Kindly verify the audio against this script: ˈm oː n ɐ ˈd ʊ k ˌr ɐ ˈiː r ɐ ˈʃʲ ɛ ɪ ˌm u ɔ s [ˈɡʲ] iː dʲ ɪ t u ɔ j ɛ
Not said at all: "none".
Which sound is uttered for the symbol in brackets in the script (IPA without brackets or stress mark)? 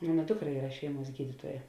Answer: ɡʲ